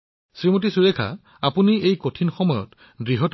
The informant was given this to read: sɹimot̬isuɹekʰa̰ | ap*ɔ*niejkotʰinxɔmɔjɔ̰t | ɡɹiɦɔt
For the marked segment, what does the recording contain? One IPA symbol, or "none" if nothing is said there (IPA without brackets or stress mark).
u